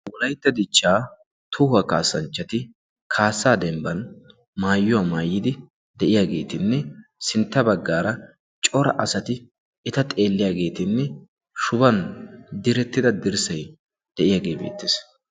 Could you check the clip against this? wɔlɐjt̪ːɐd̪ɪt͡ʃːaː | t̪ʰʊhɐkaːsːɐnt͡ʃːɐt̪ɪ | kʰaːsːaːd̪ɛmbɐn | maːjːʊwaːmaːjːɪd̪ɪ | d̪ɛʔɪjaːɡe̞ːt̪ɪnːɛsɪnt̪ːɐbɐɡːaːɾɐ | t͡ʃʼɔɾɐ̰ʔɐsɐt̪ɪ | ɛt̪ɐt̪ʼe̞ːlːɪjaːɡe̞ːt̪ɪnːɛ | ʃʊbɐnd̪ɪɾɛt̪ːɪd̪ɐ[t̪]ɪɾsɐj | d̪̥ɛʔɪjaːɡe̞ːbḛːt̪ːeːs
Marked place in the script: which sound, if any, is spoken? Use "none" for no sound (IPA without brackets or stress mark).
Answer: d̪